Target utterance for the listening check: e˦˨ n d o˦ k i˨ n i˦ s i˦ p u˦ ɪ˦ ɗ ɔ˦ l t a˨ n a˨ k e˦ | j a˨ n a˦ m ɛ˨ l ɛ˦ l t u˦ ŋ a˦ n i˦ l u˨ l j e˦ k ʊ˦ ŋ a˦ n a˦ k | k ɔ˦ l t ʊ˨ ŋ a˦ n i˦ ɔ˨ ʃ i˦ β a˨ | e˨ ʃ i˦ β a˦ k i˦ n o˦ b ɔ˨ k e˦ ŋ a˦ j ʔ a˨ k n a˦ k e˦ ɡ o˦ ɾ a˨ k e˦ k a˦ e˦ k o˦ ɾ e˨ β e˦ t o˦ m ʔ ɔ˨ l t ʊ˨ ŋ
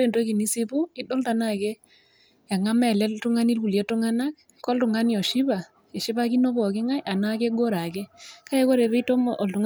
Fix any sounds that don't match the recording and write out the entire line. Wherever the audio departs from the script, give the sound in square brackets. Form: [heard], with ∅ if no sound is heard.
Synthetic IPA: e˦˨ n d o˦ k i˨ n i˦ s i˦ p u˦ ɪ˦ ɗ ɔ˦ l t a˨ n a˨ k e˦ | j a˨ [ŋ] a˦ m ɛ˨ l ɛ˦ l t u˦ ŋ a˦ n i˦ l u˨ l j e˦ [t] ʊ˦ ŋ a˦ n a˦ k | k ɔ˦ l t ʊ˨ ŋ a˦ n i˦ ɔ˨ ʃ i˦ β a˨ | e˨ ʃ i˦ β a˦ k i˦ n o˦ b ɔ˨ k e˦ ŋ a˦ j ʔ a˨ [∅] n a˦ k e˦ ɡ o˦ ɾ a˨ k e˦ k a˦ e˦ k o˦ ɾ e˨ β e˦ t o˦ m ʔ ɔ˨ l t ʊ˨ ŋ

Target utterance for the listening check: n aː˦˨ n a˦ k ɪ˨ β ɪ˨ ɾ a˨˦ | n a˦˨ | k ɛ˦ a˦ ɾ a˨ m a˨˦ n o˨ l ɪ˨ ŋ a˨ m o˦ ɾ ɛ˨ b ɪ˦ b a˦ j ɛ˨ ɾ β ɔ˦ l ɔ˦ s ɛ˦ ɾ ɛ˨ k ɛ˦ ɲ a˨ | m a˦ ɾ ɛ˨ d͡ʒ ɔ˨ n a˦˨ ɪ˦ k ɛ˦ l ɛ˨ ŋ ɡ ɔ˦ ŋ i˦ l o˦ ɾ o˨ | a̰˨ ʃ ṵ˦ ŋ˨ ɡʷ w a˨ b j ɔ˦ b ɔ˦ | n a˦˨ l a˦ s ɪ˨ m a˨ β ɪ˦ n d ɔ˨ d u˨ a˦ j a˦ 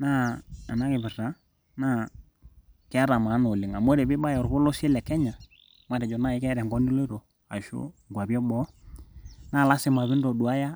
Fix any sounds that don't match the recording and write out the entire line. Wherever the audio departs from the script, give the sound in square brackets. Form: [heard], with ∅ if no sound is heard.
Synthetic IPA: n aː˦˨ n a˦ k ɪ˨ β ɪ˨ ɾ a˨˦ | n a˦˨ | k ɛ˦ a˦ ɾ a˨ m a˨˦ n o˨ l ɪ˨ ŋ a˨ m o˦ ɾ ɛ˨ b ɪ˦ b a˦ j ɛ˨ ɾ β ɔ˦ l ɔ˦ s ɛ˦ [l] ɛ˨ k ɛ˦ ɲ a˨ | m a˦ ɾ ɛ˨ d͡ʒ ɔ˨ n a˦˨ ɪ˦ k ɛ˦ [ɾ] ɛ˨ ŋ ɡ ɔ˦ [n] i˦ l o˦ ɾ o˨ | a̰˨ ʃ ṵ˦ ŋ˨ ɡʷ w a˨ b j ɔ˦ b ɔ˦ | n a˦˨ l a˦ s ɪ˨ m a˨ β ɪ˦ n d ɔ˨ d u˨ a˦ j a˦

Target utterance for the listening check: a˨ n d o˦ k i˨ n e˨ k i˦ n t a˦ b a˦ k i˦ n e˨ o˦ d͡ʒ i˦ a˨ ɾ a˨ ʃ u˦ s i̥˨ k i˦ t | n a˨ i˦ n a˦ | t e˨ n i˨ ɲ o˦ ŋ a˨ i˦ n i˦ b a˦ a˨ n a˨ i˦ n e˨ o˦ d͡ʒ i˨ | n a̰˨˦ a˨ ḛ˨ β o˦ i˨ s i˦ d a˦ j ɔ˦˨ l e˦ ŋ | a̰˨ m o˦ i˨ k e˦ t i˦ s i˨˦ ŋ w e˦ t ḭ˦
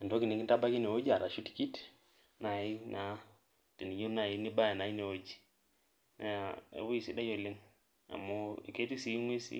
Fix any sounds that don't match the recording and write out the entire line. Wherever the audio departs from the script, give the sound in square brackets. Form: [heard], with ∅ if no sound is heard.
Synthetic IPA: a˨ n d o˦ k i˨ n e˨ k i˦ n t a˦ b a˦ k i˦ n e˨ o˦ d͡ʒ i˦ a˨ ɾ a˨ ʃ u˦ [t] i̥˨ k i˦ t | n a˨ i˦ n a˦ | t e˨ n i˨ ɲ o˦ [n] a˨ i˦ n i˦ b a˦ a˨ n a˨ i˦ n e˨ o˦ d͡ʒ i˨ | n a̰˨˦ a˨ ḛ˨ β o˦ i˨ s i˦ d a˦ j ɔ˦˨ l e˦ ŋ | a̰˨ m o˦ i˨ k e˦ t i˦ s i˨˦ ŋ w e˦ [s] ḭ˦

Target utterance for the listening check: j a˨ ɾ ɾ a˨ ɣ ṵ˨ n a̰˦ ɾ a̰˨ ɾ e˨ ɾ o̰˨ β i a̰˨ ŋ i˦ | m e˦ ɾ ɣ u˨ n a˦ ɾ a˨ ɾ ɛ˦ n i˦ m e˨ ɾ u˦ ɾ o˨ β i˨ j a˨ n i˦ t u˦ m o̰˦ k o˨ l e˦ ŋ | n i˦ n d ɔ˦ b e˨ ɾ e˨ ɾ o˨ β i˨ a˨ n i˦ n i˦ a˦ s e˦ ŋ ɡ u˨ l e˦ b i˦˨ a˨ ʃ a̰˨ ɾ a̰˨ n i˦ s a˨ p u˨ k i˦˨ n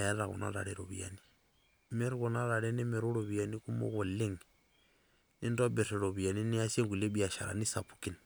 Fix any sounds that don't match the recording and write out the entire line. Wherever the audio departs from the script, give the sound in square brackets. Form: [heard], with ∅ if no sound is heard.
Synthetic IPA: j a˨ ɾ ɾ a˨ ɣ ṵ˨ n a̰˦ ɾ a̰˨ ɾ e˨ ɾ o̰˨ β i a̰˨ [n] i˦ | m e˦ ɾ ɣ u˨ n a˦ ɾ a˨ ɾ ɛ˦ n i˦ m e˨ ɾ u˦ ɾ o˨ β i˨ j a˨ n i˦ [k] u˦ m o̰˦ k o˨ l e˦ ŋ | n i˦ n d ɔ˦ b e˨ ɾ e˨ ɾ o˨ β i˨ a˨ n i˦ n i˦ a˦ s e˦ ŋ ɡ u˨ l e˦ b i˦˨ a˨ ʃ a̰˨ ɾ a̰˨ n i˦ s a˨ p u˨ k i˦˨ n

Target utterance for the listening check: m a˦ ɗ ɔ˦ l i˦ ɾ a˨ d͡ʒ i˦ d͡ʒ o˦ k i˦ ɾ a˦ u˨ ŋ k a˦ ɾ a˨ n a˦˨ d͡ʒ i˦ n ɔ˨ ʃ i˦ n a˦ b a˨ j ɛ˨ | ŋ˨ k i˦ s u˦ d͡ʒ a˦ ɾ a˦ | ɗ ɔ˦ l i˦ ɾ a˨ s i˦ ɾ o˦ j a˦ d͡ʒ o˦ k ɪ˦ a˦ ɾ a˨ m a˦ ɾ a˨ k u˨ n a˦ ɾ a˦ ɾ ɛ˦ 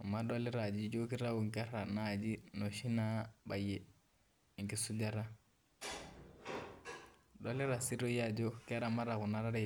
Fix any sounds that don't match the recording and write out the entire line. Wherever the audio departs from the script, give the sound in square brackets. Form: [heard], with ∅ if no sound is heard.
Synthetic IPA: m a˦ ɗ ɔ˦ l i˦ ɾ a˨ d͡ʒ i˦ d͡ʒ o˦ k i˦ ɾ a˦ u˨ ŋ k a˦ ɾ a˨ n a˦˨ d͡ʒ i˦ n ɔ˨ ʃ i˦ n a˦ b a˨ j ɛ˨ | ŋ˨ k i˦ s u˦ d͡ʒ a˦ ɾ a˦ | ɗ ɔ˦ l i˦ ɾ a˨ s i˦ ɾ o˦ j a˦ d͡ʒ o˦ k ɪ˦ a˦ ɾ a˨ m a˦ ɾ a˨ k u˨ n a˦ ɾ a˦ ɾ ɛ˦

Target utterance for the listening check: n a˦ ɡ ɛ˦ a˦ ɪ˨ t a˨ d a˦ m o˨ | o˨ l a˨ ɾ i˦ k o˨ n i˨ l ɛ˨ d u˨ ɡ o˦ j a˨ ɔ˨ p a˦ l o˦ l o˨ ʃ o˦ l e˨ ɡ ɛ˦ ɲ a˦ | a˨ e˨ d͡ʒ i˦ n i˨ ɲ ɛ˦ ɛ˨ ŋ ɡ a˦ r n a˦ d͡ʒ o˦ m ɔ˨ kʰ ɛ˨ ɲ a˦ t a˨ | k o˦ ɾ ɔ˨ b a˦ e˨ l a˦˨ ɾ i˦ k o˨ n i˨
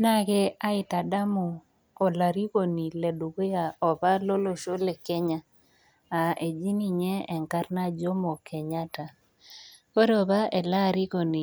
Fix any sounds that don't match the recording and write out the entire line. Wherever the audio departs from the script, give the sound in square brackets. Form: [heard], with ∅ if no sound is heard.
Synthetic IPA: n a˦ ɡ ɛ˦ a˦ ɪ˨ t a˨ d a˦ m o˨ | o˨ l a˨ ɾ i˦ k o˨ n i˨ l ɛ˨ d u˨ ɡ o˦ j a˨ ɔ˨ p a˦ l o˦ l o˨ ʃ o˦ l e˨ [k] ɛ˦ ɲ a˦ | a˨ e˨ d͡ʒ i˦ n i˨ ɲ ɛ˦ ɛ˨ ŋ [k] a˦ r n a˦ d͡ʒ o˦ m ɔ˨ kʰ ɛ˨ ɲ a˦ t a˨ | k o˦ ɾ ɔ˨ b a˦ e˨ l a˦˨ ɾ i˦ k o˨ n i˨

